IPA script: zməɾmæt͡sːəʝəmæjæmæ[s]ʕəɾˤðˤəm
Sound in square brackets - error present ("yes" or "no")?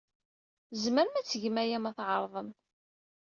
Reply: yes